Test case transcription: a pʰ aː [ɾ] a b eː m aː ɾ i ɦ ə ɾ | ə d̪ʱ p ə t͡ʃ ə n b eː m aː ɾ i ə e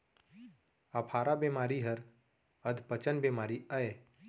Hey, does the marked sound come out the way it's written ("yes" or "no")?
yes